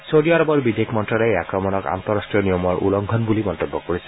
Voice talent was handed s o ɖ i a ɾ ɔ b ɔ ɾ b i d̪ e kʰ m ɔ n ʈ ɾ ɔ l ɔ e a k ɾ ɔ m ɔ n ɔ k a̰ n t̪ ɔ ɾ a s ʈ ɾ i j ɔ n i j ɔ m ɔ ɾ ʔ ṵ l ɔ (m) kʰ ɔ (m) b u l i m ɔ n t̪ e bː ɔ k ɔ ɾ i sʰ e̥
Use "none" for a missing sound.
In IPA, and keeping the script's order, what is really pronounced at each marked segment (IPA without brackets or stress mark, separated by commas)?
ŋ, n